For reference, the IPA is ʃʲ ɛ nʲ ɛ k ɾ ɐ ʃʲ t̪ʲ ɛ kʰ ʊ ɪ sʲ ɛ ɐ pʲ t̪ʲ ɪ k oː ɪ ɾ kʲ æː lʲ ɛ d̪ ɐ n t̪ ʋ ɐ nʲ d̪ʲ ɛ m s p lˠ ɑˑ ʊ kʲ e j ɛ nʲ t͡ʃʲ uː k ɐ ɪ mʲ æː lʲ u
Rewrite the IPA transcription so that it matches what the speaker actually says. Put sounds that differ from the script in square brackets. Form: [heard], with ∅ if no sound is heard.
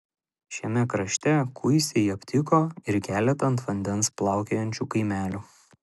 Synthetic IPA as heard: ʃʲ ɛ [mʲ] ɛ k ɾ ɐ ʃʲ t̪ʲ ɛ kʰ ʊ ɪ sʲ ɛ ɐ pʲ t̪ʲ ɪ k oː ɪ ɾ kʲ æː lʲ ɛ [t̪] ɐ n t̪ ʋ ɐ nʲ d̪ʲ ɛ [n] s p lˠ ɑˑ ʊ kʲ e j ɛ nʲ t͡ʃʲ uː k ɐ ɪ mʲ æː lʲ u